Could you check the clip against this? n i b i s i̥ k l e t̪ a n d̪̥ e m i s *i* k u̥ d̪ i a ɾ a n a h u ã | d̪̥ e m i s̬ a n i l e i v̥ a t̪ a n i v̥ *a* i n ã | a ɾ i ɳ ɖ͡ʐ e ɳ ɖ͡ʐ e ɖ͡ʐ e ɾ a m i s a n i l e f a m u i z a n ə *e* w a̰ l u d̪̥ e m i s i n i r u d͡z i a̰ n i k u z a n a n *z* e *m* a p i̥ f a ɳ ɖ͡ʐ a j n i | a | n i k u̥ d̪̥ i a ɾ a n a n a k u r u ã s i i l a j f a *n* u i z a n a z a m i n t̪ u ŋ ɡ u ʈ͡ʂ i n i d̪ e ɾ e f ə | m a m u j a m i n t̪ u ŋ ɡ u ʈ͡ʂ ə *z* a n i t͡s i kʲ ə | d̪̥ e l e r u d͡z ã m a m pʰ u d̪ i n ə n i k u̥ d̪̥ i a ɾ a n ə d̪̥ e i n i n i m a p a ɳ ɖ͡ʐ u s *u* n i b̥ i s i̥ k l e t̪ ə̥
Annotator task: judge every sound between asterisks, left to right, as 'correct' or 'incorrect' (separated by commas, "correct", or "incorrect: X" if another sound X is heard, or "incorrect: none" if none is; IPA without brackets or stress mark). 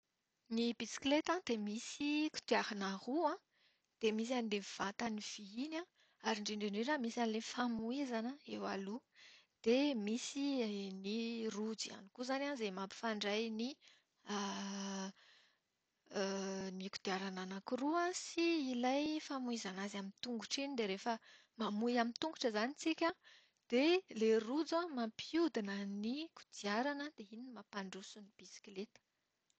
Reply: correct, incorrect: i, correct, correct, correct, incorrect: m, correct, correct